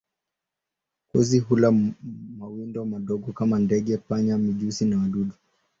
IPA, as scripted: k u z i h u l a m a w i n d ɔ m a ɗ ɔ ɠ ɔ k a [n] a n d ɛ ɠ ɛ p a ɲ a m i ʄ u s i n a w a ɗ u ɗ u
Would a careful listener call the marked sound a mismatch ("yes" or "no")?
yes